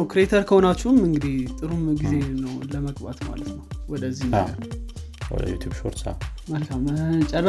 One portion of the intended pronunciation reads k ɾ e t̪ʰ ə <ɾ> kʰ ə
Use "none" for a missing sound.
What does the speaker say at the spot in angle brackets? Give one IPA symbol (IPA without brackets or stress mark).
ɾ